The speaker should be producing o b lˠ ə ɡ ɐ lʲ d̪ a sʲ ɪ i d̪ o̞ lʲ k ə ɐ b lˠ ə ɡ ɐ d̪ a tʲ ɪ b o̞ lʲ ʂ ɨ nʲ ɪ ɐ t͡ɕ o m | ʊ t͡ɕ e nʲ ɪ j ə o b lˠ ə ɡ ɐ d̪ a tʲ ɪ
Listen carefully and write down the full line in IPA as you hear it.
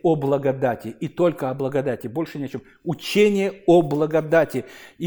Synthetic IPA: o b lˠ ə ɡ ɐ d̪ a tʲ ɪ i t̪ o̞ lʲ k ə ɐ b lˠ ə ɡ ɐ d̪ a tʲ ɪ b o̞ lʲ ʂ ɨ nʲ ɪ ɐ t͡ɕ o m | ʊ t͡ɕ e nʲ ɪ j ə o b lˠ ə ɡ ɐ d̪ a tʲ ɪ